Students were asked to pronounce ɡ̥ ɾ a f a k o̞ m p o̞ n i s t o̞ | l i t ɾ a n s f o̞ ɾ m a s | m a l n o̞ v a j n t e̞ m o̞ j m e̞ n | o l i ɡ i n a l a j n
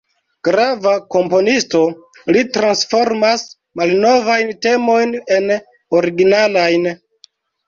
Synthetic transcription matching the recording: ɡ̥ ɾ a v a k o̞ m p o̞ n i s t o̞ | l i t ɾ a n s f o̞ ɾ m a s | m a l n o̞ v a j n t e̞ m o̞ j n e̞ n | o ɾ i ɡ i n a l a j n